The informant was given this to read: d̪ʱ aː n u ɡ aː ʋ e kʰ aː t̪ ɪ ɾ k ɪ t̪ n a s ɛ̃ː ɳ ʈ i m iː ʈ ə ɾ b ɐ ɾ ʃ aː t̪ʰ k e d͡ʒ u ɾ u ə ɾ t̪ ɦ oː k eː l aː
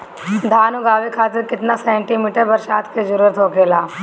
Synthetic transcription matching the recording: d̪ʱ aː n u ɡ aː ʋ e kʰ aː t̪ ɪ ɾ k ɪ t̪ n a s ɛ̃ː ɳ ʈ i m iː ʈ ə ɾ b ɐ ɾ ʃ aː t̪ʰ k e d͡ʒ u ɾ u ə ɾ t̪ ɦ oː k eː l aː